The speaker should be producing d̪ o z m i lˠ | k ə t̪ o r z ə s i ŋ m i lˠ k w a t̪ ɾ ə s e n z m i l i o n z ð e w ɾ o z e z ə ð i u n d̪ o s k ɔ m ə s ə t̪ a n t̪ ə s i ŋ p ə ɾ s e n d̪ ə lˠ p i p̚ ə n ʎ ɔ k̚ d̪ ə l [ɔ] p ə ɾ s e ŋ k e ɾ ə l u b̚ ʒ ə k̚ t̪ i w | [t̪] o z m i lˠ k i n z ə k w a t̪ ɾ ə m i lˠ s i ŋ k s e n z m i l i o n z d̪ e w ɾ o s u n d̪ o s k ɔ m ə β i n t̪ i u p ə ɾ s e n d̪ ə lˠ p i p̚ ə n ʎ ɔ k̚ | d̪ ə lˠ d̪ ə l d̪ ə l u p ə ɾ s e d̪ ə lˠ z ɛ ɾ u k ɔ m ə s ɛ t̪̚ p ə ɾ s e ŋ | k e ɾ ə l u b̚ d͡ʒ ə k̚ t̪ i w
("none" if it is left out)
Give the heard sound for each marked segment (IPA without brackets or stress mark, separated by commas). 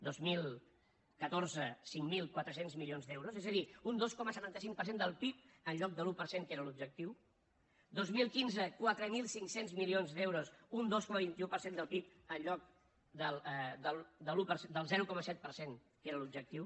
u, d̪